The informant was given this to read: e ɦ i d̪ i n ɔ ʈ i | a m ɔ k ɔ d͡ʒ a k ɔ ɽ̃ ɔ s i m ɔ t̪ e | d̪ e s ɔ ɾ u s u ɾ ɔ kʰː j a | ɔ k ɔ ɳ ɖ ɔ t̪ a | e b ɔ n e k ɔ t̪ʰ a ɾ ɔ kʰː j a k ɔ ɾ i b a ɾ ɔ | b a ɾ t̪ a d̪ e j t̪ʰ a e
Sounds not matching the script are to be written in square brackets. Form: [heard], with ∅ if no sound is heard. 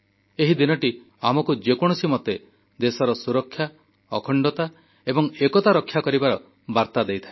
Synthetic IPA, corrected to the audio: e ɦ i d̪ i n ɔ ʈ i | a m ɔ k [u] d͡ʒ [e] k ɔ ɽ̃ ɔ s i m ɔ t̪ e | d̪ e s ɔ ɾ [ɔ] s u ɾ ɔ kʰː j a | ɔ [kʰ] ɔ ɳ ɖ ɔ t̪ a | e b ɔ [ŋ] e k ɔ [t̪] a ɾ ɔ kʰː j a k ɔ ɾ i b a ɾ ɔ | b a ɾ t̪ a d̪ e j t̪ʰ a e